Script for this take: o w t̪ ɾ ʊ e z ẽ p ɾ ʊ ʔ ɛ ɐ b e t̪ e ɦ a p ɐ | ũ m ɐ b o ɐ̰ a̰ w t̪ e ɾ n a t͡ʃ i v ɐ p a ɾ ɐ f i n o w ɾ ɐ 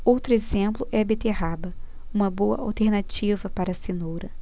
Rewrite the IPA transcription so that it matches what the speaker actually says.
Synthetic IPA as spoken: o w t̪ ɾ ʊ e z ẽ p l ʊ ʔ ɛ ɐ b e t̪ e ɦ a b ɐ | ũ m ɐ b o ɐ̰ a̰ w t̪ e ɾ n a t͡ʃ i v ɐ p a ɾ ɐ s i n o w ɾ ɐ